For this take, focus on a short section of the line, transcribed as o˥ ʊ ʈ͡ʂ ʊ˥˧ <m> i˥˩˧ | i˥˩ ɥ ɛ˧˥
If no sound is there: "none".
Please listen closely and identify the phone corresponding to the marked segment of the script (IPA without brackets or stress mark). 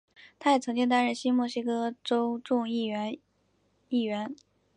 ŋ